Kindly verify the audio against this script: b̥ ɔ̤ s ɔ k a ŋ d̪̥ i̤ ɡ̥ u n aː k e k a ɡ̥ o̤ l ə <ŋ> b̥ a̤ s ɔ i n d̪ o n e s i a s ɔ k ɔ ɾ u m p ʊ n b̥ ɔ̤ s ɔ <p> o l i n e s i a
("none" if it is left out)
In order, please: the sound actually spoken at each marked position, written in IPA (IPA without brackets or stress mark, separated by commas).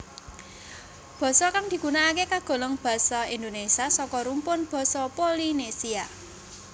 ŋ, p